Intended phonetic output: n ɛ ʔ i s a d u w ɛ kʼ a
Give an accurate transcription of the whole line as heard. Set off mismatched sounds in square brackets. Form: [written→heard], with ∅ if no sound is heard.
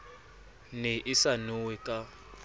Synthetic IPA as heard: n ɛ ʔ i s a [d→n] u w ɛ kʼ a